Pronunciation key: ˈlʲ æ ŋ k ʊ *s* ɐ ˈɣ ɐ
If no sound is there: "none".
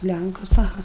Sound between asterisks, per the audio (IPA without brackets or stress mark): s